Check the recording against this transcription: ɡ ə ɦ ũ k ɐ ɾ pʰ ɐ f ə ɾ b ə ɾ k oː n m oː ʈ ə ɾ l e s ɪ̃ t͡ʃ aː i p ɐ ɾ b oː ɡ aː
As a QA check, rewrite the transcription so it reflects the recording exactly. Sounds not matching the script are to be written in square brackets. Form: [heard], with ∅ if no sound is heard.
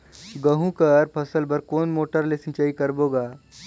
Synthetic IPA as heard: ɡ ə ɦ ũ k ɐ ɾ pʰ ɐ [s] ə [l] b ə ɾ k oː n m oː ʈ ə ɾ l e s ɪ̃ t͡ʃ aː i [k] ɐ ɾ b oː ɡ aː